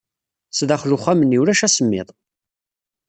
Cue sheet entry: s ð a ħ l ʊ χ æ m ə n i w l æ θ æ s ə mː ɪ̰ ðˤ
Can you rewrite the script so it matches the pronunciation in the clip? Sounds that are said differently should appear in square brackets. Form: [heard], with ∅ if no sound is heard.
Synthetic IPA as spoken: s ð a [χ] l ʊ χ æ m ə n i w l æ [ʃ] æ s ə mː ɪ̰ ðˤ